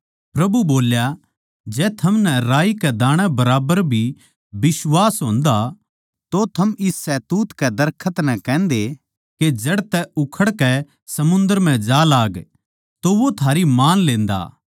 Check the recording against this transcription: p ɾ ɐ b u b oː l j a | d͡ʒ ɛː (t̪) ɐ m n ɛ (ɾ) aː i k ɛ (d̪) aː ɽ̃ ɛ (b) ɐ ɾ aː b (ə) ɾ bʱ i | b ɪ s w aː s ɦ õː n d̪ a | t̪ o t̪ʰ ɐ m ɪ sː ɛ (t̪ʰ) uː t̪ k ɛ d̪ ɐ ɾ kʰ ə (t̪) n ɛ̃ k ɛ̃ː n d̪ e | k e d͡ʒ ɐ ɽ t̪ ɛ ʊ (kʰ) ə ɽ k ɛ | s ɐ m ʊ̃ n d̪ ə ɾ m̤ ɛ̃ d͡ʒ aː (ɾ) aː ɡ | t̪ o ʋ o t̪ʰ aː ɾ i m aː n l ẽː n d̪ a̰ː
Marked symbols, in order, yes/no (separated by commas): no, yes, yes, yes, yes, no, yes, yes, no